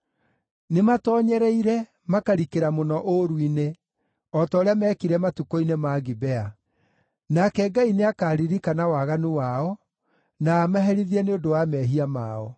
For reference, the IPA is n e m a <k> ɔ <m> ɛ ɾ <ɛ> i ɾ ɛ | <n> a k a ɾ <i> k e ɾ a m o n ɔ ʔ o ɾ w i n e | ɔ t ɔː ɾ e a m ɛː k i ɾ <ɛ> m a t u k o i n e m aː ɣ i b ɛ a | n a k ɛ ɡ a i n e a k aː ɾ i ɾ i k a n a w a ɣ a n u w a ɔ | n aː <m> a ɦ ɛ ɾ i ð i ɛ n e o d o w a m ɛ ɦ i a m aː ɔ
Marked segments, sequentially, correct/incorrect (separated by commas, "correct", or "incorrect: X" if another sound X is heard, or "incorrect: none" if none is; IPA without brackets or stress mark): incorrect: t, incorrect: ɲ, correct, incorrect: m, correct, correct, correct